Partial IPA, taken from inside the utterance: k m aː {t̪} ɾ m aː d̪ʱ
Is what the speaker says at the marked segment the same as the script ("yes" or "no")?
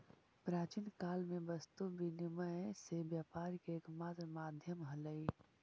yes